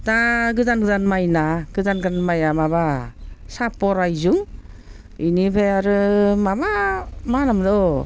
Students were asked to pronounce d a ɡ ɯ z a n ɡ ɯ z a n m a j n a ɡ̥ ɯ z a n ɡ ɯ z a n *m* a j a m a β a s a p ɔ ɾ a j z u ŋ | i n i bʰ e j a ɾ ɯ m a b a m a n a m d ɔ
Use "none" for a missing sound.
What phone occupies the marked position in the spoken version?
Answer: m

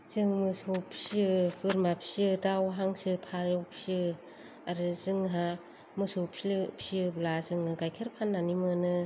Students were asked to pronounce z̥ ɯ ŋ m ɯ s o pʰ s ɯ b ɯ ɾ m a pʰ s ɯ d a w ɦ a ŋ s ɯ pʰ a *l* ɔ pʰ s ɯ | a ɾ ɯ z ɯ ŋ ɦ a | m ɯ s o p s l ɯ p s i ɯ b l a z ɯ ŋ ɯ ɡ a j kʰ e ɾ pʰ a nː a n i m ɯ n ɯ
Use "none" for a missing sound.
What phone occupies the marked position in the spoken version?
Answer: ɾ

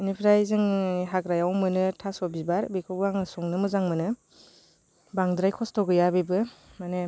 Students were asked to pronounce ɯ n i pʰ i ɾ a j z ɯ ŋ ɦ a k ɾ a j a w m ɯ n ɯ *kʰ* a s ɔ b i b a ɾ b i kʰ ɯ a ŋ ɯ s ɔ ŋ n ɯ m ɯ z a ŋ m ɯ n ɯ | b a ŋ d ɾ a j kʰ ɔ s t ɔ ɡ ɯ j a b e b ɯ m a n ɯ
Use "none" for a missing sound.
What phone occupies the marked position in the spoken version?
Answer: tʰ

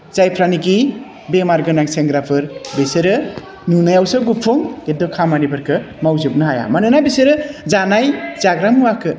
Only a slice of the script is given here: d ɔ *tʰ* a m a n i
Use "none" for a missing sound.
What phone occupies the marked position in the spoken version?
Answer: kʰ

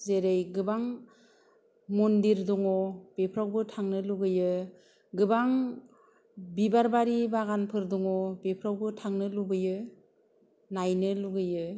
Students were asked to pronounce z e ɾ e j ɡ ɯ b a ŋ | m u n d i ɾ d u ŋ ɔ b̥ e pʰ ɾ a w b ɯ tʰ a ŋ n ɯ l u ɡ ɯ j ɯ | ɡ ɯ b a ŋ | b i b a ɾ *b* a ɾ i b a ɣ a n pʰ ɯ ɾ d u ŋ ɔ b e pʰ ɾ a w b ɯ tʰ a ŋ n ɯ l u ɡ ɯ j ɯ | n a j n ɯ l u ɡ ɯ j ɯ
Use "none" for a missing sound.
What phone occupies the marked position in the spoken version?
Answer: b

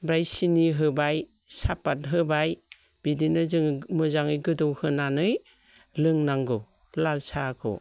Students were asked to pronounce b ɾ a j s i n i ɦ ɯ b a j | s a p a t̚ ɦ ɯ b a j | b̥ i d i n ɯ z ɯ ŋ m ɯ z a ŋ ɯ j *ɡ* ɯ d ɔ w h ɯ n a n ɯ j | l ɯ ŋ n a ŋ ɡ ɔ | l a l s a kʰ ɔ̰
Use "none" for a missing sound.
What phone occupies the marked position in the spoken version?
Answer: ɡ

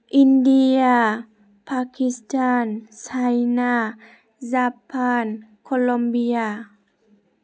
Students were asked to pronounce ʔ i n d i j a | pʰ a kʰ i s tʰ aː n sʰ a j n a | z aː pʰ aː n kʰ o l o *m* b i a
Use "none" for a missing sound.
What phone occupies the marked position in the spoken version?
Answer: m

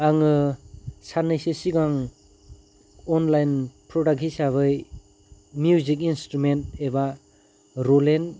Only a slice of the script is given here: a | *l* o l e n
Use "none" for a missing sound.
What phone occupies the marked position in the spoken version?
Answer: ɾ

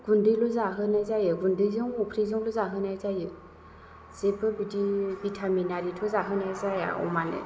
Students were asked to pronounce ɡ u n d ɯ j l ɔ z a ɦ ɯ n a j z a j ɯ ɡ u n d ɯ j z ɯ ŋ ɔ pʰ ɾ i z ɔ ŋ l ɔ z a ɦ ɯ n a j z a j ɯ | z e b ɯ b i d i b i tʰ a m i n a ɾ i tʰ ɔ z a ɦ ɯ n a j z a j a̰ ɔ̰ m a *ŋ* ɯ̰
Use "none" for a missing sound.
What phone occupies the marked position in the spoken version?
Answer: n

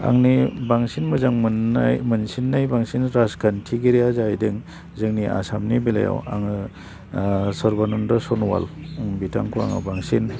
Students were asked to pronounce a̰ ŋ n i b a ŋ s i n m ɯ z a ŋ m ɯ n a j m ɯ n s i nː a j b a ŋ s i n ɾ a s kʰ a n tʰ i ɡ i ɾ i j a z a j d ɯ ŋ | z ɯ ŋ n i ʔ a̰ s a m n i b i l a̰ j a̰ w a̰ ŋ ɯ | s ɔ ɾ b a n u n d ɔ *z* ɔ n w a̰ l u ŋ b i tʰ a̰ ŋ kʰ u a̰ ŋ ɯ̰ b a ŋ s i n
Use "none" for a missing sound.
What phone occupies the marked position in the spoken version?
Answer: s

